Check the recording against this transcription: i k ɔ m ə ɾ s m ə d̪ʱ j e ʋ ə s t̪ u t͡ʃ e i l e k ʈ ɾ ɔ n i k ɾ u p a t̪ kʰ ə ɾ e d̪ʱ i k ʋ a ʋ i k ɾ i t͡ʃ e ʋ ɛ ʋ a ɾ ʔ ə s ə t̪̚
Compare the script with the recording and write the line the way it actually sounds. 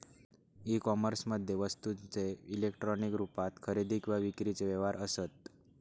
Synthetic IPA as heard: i k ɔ m ə ɾ s m ə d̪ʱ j e ʋ ə s t̪ u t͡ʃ e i l e k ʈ ɾ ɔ n i k ɾ u p a t̪ kʰ ə ɾ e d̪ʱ i k ʋ a ʋ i k ɾ i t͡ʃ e ʋ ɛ ʋ a ɾ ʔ ə s ə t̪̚

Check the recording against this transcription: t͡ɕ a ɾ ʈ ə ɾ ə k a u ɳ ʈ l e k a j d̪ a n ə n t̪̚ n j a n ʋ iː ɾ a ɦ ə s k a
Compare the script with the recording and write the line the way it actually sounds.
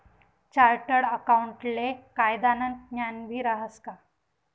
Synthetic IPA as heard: t͡ɕ a ɾ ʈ ə ɽ ə k a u ɳ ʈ l e k a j d̪ a n ə n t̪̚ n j a n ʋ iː ɾ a ɦ ə s k a

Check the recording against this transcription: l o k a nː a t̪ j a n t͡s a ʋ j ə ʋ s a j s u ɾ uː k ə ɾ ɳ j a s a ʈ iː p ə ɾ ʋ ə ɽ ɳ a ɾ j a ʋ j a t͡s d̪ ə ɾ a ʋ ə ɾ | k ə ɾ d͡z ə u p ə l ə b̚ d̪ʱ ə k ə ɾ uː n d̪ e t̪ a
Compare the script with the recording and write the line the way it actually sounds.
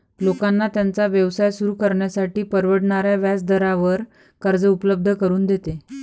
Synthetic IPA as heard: l o k a nː a t̪ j a n t͡s a ʋ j ə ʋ s a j s u ɾ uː k ə ɾ ɳ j a s a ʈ iː p ə ɾ ʋ ə ɽ ɳ a ɾ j a ʋ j a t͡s d̪ ə ɾ a ʋ ə ɾ | k ə ɾ d͡z ə u p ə l ə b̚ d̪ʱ ə k ə ɾ uː n d̪ e t̪ e

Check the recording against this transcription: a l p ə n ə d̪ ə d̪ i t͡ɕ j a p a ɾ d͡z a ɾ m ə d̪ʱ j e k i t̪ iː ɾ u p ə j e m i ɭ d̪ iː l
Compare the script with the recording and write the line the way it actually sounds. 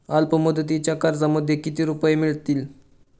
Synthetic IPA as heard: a l p ə m ə d̪ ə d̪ i t͡ɕ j a k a ɾ d͡z a m ə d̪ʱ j e k i t̪ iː ɾ u p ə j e m i ɭ t̪ iː l

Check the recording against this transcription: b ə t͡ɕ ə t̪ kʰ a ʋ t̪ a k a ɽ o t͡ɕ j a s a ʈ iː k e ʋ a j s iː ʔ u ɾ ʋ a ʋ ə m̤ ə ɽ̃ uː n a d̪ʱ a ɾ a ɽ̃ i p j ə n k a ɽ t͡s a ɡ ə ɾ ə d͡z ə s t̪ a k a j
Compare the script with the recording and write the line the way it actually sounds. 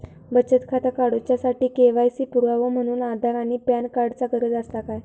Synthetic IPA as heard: b ə t͡ɕ ə t̪ kʰ a t̪ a k a ɽ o t͡ɕ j a s a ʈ iː k e ʋ a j s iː p u ɾ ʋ a ʋ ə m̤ ə ɽ̃ uː n a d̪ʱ a ɾ a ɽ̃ i p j a n k a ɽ t͡s a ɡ ə ɾ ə d͡z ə s t̪ a k a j

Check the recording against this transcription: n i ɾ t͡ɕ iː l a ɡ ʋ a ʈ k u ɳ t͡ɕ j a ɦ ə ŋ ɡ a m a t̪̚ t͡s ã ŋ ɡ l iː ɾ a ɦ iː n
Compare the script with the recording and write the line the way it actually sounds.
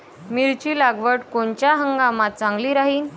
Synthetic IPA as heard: m i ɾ t͡ɕ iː l a ɡ ʋ ə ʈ k o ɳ t͡ɕ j a ɦ ə ŋ ɡ a m a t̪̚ t͡s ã ŋ ɡ l iː ɾ a ɦ iː n

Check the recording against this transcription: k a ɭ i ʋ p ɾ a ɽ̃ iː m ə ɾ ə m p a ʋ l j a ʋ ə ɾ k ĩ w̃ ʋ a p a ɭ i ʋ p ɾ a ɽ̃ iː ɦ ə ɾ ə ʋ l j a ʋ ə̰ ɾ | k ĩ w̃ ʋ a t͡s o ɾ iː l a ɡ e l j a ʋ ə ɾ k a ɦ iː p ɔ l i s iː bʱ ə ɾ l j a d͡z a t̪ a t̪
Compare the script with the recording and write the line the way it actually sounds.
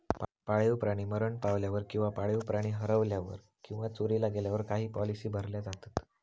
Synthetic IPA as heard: p a ɭ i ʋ p ɾ a ɽ̃ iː m ə ɾ ə ɳ p a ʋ l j a ʋ ə ɾ k ĩ w̃ ʋ a p a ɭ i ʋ p ɾ a ɽ̃ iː ɦ ə ɾ ə ʋ l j a ʋ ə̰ ɾ | k ĩ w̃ ʋ a t͡s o ɾ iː l a ɡ e l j a ʋ ə ɾ k a ɦ iː p ɔ l i s iː bʱ ə ɾ l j a d͡z a t̪ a t̪

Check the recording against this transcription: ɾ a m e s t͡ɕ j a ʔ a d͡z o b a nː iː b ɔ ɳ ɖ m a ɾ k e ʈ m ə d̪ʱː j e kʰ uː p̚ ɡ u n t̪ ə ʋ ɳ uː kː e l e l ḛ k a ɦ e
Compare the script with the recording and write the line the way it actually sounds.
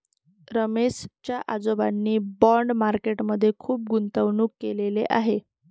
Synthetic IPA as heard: ɾ ə m e s t͡ɕ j a ʔ a d͡z o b a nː iː b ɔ ɳ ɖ m a ɾ k e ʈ m ə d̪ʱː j e kʰ uː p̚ ɡ u n t̪ ə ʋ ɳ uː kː e l e l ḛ ʔ a ɦ e

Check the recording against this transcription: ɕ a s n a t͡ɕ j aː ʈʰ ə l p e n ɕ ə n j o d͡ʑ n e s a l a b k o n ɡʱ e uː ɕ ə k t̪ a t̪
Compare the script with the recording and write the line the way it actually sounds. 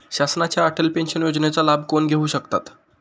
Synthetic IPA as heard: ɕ a s n a t͡ɕ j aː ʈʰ ə l p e n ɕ ə n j o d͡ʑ n e t͡s a l a b k o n ɡʱ e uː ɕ ə k t̪ a t̪

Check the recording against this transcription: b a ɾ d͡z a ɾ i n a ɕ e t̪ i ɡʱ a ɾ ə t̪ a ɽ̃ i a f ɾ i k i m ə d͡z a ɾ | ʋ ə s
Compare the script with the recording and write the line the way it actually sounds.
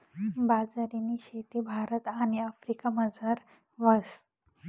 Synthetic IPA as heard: b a d͡z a ɾ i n i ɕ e t̪ i bʱ a ɾ ə t̪ a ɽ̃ i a f ɾ i k a m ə d͡z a ɾ | ʋ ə s

